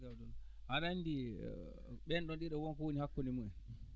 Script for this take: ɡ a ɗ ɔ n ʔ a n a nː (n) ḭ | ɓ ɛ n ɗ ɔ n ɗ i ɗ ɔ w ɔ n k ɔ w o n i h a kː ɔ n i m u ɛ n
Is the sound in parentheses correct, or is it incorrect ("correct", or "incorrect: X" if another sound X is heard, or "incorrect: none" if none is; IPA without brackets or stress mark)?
incorrect: d